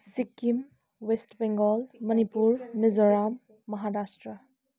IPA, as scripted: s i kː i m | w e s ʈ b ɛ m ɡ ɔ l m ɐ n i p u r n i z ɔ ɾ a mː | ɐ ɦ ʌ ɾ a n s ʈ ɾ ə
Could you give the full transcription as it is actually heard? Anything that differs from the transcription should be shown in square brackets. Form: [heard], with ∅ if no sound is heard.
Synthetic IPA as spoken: s i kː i m | w e s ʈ b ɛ [ŋ] ɡ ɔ l m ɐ n i p u [ɾ] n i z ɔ ɾ a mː | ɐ ɦ [a] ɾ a [∅] s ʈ ɾ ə